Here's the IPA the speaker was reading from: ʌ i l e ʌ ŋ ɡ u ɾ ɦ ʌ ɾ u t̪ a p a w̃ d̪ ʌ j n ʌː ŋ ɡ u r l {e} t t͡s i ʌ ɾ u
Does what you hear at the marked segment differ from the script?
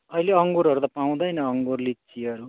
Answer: yes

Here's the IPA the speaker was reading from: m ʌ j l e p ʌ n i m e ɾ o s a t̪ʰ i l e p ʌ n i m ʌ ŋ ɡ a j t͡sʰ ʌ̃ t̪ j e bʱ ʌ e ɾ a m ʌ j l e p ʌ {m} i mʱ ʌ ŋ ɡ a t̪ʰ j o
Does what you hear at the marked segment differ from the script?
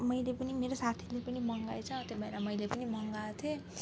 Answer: yes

